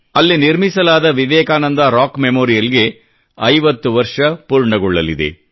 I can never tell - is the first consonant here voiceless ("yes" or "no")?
no